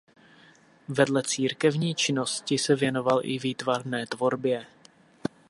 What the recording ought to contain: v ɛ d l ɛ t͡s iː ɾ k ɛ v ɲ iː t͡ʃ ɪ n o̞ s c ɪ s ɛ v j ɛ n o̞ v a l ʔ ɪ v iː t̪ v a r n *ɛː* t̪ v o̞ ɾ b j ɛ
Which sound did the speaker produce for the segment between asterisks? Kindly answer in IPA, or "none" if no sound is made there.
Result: ɛː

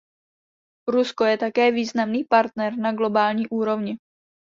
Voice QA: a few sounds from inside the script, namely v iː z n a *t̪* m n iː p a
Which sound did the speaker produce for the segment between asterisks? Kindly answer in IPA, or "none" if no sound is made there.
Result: none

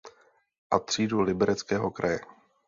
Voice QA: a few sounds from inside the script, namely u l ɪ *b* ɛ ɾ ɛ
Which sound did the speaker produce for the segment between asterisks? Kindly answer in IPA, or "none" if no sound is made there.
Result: b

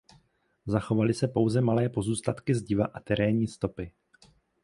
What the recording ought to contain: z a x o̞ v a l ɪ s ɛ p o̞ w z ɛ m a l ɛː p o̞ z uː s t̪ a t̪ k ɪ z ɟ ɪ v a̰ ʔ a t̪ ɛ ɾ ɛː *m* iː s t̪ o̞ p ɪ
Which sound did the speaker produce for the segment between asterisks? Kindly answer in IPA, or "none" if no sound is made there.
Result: ɲ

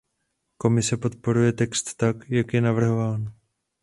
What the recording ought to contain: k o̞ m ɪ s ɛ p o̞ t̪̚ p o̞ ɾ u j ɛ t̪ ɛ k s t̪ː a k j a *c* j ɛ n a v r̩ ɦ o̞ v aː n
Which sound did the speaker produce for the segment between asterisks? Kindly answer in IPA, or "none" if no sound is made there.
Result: k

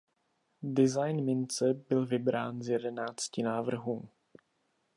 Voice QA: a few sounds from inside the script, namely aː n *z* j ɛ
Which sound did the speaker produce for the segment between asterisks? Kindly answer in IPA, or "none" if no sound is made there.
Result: z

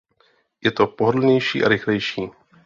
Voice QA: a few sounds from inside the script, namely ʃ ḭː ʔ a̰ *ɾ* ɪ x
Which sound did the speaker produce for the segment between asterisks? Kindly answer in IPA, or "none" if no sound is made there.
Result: ɾ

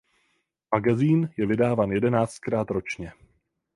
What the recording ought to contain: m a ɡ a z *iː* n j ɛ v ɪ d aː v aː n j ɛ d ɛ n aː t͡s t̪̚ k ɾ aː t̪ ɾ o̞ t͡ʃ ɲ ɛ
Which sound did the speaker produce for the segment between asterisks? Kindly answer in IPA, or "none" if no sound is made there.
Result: iː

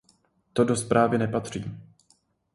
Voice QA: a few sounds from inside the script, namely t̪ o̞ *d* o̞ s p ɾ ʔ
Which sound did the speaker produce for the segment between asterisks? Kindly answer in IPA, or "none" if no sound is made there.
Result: d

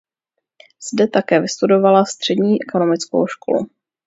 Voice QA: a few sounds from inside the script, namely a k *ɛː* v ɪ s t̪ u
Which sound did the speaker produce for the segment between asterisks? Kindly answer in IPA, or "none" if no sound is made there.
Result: ɛː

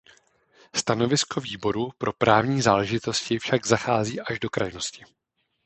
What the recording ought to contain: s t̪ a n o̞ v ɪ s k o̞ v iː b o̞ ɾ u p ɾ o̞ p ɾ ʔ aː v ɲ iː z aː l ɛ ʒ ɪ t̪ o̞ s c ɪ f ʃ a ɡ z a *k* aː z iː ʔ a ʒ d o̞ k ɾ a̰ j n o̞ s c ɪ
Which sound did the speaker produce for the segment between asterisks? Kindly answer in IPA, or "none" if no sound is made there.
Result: x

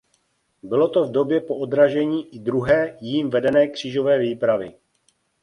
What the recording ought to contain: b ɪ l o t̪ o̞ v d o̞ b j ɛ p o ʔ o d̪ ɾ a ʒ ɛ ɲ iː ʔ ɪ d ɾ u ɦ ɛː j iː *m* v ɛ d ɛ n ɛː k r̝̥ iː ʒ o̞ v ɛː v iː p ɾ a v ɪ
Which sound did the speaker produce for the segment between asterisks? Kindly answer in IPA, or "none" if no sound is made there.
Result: m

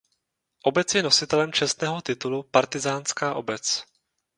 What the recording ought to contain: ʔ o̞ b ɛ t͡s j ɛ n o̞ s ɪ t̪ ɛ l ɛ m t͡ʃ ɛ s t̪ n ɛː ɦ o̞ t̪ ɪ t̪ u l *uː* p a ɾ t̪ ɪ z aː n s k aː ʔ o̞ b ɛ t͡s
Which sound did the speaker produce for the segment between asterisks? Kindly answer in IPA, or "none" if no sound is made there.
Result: u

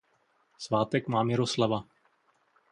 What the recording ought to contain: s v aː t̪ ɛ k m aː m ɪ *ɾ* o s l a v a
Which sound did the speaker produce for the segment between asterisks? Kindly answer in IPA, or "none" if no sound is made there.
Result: ɾ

